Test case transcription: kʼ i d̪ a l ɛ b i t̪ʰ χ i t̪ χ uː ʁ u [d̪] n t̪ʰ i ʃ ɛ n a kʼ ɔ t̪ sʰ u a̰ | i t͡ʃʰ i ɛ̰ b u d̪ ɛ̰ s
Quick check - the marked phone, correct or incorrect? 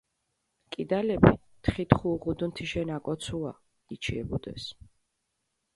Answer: correct